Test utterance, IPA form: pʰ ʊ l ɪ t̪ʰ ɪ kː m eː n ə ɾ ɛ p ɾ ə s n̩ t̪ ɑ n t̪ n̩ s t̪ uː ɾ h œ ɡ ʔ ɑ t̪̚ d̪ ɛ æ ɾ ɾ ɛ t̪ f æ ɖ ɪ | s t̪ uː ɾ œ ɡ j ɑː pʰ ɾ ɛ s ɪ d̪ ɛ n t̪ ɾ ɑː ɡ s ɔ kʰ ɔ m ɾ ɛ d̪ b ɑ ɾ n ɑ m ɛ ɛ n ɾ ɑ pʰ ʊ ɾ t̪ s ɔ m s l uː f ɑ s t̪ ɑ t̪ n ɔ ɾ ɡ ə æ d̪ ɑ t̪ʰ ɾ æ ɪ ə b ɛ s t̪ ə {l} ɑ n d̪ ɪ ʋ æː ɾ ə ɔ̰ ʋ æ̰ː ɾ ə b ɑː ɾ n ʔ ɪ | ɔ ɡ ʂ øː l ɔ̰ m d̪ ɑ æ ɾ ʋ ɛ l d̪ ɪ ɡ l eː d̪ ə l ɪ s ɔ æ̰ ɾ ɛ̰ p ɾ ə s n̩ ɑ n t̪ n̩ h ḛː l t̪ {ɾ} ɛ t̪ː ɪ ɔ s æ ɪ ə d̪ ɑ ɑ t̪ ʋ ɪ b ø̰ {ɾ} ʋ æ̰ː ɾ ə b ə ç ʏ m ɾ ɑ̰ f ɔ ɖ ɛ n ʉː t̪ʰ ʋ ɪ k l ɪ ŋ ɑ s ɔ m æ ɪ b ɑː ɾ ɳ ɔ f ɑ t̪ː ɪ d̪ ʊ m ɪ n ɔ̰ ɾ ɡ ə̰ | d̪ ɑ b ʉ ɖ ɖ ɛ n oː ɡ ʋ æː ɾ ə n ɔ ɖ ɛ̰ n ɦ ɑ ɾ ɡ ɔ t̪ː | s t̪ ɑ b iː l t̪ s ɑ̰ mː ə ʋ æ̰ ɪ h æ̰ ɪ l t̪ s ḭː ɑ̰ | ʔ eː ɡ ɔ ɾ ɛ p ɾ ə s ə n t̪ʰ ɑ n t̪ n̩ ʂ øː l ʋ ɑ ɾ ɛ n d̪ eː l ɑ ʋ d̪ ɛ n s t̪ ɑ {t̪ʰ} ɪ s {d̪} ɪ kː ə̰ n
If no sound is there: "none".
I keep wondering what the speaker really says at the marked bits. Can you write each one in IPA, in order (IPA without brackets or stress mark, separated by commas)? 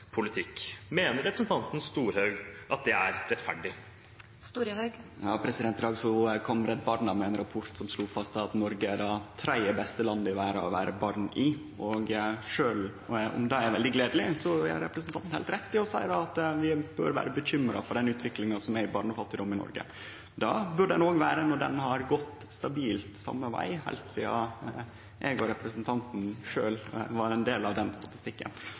l, ɾ, ɾ, t̪, t̪